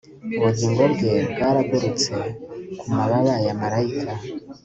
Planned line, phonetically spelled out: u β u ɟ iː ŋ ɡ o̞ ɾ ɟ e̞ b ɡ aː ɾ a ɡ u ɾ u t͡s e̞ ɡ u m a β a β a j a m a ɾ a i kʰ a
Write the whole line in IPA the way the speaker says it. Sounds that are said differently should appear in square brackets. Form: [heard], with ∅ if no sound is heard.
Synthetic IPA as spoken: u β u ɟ iː ŋ ɡ o̞ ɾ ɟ e̞ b ɡ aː ɾ a ɡ u ɾ u t͡s e̞ [k] u m a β a β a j a m a ɾ a i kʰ a